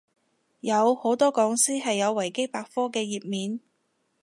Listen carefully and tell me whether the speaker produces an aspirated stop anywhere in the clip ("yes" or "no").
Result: no